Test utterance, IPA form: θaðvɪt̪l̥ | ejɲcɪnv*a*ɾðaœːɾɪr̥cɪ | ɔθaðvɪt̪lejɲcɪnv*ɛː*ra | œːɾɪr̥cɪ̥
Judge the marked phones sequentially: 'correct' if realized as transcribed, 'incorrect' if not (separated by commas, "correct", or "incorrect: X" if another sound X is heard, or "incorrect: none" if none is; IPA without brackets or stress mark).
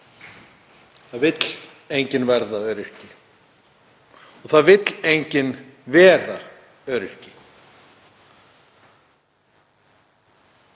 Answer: incorrect: ɛ, correct